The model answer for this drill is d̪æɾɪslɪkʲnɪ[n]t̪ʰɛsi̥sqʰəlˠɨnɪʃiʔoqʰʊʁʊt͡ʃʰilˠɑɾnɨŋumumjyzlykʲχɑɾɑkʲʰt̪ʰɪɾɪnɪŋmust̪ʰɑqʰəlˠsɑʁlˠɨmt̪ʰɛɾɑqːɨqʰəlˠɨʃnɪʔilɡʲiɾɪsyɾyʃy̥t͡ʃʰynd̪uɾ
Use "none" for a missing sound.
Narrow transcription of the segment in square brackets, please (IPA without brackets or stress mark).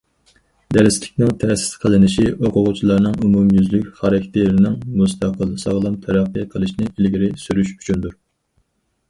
ŋ